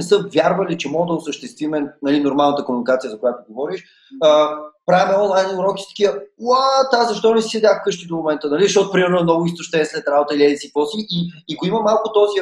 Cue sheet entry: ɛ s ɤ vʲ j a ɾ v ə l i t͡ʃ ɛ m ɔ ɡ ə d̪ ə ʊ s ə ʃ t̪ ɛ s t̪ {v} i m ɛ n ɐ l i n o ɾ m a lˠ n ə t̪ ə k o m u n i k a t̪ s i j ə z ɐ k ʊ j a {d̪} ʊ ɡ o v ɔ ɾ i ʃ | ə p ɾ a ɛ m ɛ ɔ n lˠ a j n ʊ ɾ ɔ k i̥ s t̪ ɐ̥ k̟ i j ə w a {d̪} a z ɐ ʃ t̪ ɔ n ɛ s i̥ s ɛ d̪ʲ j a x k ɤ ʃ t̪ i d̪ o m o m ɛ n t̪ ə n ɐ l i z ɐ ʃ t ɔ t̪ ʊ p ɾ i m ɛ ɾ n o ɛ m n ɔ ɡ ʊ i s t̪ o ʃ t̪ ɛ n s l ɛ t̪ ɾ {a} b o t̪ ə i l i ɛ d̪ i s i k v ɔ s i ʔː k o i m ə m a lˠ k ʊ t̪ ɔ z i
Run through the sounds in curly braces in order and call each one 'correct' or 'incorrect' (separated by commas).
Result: correct, incorrect, incorrect, correct